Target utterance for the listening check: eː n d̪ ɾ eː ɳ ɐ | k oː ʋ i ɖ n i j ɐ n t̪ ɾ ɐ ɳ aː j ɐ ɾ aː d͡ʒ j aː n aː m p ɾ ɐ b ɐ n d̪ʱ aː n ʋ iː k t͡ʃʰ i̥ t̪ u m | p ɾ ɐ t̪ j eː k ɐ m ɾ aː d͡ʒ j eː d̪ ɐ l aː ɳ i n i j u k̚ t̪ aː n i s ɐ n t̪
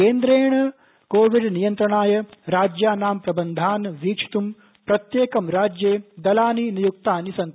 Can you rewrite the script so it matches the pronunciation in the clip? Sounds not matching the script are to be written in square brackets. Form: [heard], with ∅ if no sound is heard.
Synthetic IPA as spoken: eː n d̪ ɾ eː ɳ ɐ | k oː ʋ i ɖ n i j ɐ n t̪ ɾ ɐ ɳ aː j ɐ ɾ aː d͡ʒ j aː n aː m p ɾ ɐ b ɐ n d̪ʱ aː n ʋ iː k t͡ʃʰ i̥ t̪ u m | p ɾ ɐ t̪ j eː k ɐ m ɾ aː d͡ʒ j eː d̪ ɐ l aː [n] i n i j u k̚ t̪ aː n i s ɐ n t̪